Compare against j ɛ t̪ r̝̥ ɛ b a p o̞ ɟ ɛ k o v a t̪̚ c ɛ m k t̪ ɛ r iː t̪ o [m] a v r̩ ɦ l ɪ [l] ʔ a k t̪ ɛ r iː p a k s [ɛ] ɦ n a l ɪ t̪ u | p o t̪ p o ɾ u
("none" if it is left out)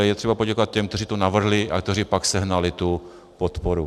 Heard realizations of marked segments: n, none, ɛ

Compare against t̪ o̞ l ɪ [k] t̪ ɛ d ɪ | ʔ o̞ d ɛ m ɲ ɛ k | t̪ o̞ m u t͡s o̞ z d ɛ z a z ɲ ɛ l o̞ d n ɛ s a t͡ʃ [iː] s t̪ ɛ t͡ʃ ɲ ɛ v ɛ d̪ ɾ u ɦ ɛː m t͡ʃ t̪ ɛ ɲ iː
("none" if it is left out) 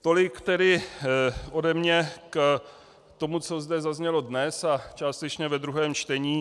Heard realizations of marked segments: k, aː

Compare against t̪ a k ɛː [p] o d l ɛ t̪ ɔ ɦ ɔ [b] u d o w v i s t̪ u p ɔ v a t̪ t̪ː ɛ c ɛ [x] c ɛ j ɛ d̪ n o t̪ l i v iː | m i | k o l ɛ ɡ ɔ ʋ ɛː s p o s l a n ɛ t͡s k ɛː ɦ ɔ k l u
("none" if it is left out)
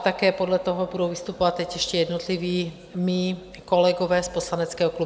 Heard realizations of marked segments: p, b, ʃ

